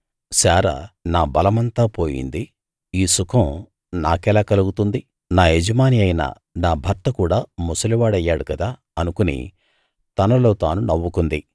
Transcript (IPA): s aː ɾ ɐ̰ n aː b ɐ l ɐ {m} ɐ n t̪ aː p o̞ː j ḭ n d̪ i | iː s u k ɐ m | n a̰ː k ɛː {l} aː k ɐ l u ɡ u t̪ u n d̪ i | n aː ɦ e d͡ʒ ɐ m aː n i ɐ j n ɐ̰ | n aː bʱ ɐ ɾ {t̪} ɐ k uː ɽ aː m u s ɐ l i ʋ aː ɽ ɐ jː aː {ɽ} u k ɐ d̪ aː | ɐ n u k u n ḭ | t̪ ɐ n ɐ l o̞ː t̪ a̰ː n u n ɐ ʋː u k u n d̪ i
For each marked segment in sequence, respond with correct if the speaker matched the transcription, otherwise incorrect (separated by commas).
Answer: correct, correct, correct, correct